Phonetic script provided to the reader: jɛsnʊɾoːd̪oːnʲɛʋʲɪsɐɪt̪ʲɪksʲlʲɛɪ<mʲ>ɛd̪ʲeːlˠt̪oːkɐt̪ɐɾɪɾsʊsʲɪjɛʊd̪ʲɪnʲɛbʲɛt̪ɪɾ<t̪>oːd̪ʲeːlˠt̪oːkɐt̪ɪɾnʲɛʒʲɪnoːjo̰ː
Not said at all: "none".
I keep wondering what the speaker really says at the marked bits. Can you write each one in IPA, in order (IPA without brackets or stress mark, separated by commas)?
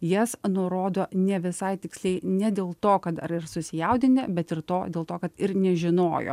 nʲ, t̪